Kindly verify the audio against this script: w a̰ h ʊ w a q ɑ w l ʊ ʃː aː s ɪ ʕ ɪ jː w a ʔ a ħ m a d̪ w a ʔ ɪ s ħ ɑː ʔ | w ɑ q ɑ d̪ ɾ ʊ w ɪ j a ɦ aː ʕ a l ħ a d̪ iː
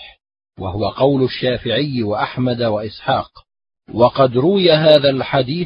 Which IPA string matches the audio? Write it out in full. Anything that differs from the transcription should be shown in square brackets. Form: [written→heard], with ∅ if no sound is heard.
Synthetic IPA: w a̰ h ʊ w a q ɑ w l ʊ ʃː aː [s→f] ɪ ʕ ɪ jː w a ʔ a ħ m a d̪ w a ʔ ɪ s ħ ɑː [ʔ→q] | w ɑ q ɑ d̪ ɾ ʊ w ɪ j a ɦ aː [ʕ→ð] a l ħ a d̪ iː